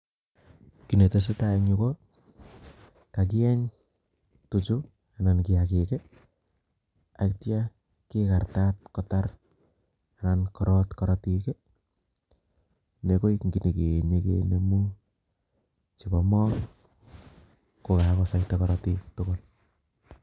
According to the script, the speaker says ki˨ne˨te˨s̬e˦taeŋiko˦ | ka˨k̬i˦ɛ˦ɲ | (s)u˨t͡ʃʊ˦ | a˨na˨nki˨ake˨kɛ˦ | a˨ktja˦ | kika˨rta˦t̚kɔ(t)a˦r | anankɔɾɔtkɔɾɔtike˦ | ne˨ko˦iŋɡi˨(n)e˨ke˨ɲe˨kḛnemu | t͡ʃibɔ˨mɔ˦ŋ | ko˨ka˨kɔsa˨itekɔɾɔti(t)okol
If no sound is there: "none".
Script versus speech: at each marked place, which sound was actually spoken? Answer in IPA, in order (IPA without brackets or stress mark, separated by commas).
t, t, n, t